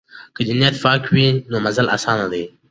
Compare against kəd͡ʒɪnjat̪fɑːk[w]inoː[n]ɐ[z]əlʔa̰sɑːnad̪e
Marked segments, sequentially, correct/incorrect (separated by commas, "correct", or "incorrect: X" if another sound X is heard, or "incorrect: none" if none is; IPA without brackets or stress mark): correct, incorrect: m, correct